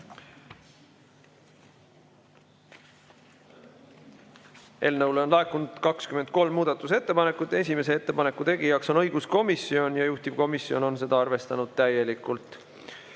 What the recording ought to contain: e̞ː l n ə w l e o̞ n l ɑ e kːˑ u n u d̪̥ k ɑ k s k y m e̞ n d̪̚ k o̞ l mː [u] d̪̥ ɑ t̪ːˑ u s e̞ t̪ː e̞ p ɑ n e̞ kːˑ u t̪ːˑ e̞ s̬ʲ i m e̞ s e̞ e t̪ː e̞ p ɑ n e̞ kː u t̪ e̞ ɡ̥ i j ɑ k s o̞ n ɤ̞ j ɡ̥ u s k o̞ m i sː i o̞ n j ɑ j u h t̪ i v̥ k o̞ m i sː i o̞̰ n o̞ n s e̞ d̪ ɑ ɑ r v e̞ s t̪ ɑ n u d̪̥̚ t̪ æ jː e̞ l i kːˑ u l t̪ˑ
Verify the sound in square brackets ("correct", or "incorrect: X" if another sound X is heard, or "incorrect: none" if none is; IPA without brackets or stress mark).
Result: incorrect: uː